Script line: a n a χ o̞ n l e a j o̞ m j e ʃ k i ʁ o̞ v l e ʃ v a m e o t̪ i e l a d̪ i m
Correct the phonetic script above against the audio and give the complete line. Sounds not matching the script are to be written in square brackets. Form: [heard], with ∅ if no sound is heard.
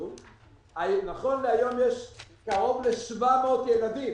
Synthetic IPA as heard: a n a χ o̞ n l e a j o̞ m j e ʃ k [a] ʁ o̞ v l e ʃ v a m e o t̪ [j] e l a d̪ i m